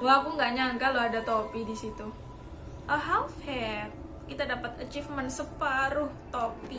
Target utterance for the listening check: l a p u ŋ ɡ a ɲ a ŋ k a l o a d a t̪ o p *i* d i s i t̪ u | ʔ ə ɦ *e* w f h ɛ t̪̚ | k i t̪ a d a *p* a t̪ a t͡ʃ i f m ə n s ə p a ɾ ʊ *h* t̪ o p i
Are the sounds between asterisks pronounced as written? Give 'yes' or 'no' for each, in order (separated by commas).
yes, no, yes, yes